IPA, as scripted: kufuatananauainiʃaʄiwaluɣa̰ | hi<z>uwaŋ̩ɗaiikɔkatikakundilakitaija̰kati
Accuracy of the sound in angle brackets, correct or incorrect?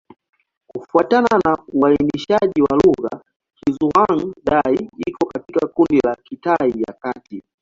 correct